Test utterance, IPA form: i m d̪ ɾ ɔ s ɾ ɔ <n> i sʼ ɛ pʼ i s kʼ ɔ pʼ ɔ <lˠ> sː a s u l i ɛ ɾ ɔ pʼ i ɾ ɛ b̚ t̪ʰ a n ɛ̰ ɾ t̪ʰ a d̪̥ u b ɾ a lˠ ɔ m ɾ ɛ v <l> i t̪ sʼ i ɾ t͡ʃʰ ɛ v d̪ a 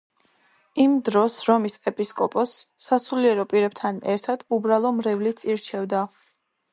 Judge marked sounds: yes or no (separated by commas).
no, no, yes